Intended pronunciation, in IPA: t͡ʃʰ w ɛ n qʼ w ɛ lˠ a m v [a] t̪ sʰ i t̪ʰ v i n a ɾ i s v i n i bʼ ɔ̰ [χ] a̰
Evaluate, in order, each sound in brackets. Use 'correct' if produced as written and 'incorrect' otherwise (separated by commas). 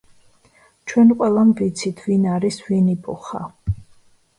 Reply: incorrect, correct